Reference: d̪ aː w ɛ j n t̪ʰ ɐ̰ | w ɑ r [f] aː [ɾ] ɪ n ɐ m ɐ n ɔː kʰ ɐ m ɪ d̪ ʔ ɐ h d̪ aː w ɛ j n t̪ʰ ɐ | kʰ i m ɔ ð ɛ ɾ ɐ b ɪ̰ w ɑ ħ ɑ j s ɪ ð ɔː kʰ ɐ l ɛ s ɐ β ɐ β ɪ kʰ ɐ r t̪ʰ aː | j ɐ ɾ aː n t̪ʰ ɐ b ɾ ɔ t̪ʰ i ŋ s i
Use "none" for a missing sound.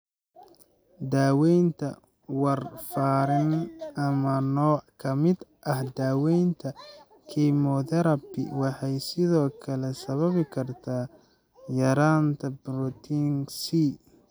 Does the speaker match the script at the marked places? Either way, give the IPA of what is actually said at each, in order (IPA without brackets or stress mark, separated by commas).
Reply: f, ɾ